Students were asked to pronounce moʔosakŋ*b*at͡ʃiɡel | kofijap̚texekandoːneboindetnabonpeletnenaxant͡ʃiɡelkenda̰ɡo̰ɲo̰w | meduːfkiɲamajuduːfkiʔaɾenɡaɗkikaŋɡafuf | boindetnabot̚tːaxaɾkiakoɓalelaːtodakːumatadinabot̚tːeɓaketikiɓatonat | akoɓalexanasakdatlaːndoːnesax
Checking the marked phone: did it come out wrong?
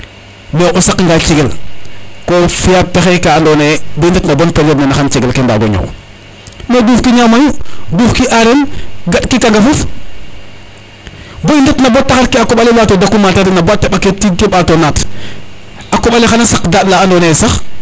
yes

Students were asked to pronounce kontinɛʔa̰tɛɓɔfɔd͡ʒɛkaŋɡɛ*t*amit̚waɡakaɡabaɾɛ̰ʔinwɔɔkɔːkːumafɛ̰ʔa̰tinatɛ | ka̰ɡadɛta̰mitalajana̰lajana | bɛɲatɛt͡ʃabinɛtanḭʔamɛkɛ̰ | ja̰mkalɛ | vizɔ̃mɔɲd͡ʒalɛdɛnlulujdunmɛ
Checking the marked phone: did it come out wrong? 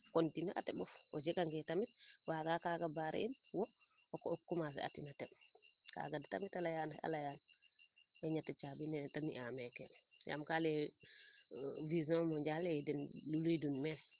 no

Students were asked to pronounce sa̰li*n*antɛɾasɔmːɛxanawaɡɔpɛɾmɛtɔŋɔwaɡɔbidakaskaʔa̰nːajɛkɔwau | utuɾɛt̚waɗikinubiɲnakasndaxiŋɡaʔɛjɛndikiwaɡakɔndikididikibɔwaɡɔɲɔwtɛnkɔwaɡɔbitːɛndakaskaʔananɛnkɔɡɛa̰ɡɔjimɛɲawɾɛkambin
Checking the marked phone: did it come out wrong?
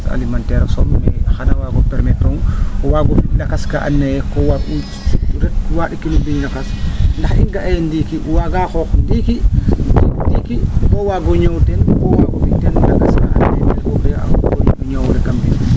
yes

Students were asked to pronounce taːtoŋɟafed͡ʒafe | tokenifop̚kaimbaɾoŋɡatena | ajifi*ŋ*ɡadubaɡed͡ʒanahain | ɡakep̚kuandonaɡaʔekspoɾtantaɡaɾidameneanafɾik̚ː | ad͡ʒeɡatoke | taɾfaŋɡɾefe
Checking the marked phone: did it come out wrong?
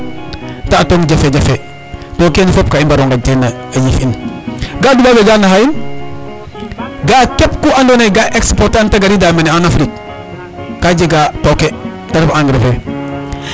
yes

